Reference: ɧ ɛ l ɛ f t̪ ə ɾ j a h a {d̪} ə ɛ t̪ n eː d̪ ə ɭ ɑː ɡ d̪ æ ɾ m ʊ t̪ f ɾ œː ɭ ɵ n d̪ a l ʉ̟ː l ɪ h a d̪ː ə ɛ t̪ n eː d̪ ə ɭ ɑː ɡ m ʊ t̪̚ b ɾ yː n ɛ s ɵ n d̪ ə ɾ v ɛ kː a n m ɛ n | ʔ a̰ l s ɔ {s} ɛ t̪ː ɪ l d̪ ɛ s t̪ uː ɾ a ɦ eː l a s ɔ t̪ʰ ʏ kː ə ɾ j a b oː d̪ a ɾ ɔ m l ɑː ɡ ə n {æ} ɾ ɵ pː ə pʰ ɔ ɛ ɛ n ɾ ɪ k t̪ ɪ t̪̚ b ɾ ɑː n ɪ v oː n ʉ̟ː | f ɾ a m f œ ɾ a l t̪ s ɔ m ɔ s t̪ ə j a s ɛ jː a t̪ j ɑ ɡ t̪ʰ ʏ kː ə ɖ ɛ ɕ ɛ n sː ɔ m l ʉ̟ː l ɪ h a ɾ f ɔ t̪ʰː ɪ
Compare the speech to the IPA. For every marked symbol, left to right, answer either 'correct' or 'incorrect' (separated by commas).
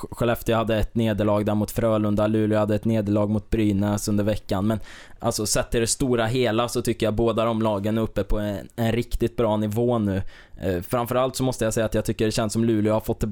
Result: incorrect, correct, correct